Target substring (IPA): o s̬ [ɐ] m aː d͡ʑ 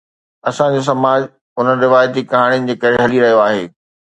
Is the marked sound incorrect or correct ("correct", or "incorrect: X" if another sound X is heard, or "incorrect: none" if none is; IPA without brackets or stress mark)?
correct